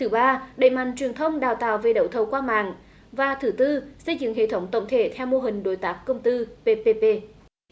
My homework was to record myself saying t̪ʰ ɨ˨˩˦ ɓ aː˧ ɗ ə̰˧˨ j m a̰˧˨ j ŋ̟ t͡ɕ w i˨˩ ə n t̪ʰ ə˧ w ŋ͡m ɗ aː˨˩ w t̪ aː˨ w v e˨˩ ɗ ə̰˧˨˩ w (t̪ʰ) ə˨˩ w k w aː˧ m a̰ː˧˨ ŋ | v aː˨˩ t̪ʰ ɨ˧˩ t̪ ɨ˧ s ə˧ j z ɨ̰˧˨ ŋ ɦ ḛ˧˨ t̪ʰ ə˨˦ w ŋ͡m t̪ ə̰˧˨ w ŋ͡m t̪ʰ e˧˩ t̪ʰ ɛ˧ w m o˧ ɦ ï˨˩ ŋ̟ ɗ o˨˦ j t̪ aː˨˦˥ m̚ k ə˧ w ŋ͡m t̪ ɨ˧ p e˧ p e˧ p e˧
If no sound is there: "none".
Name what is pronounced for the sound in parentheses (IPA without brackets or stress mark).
t̪ʰ